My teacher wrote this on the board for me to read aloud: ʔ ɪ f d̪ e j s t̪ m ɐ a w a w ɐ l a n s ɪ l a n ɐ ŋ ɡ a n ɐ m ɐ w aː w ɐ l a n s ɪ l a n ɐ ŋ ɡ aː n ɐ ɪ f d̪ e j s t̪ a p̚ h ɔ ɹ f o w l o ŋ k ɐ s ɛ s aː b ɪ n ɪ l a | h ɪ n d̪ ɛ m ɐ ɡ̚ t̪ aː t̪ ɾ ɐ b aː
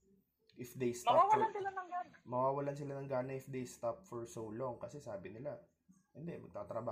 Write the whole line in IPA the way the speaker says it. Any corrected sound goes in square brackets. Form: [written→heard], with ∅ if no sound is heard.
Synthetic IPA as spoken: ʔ ɪ f d̪ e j s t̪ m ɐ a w a w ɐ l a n s ɪ l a n ɐ ŋ ɡ a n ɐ m ɐ w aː w ɐ l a n s ɪ l a n ɐ ŋ ɡ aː n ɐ ɪ f d̪ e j s t̪ a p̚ [h→f] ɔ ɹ [f→s] o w l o ŋ k ɐ s ɛ s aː b ɪ n ɪ l a | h ɪ n d̪ ɛ m ɐ ɡ̚ t̪ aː t̪ ɾ ɐ b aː